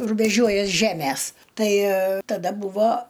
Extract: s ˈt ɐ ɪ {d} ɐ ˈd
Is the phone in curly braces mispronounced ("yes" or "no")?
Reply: yes